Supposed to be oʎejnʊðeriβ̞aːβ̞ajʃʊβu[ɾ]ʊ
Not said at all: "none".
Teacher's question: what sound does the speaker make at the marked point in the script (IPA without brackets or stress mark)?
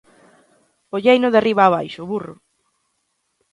r